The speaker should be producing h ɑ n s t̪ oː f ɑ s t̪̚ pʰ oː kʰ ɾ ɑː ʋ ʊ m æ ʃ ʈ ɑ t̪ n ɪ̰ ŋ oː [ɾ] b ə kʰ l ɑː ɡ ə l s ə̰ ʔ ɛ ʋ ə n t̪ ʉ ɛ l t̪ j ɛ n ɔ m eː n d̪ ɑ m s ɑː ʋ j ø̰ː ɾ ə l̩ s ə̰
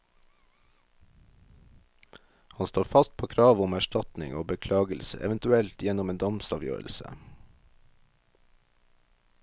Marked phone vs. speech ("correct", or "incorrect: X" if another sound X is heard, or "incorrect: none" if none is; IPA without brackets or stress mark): incorrect: none